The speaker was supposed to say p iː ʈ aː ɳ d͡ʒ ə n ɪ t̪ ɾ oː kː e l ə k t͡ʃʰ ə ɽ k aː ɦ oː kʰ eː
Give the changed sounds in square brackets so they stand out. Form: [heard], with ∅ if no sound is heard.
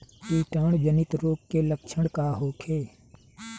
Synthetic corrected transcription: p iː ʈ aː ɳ d͡ʒ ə n ɪ t̪ ɾ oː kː e l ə k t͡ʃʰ ə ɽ k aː ɦ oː kʰ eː